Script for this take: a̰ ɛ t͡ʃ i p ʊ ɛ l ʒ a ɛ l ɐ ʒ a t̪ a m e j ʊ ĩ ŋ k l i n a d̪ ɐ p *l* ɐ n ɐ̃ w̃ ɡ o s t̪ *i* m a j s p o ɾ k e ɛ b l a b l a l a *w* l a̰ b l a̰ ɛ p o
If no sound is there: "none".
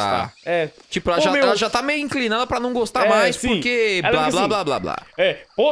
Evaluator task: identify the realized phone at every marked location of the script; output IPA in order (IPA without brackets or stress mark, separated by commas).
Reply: ɾ, a, b